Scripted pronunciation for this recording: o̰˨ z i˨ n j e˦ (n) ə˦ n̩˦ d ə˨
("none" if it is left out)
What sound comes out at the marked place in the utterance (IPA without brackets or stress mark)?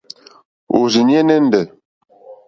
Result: n